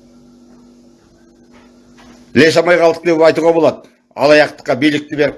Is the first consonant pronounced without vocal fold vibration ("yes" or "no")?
no